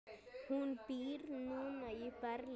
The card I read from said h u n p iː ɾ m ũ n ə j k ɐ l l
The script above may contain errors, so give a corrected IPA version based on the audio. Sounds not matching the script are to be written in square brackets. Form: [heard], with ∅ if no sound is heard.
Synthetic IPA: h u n p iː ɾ [n] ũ n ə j [p] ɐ [ɾ] l